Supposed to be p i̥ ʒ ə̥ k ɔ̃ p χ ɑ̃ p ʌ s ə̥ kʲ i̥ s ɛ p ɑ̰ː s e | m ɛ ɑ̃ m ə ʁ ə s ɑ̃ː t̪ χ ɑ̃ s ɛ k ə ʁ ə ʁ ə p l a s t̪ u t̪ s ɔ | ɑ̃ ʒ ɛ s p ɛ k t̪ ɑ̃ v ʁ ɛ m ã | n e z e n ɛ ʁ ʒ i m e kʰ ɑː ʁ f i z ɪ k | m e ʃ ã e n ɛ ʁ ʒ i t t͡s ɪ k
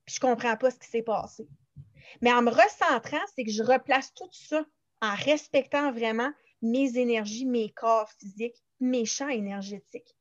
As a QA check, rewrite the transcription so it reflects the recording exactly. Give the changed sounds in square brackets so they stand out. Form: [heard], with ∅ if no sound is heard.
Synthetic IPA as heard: p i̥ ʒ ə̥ k ɔ̃ p χ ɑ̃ p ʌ s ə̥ kʲ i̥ s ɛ p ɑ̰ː s e | m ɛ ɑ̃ m ə ʁ ə s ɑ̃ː t̪ χ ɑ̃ s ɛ k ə [ʒ] ə ʁ ə p l a s t̪ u t̪ s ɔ | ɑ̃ [ʁ] ɛ s p ɛ k t̪ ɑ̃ v ʁ ɛ m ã | [m] e z e n ɛ ʁ ʒ i m e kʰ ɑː ʁ f i z ɪ k | m e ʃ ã e n ɛ ʁ ʒ [e] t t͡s ɪ k